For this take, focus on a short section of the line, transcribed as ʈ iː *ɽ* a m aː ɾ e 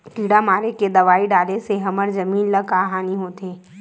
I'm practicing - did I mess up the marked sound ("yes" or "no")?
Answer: no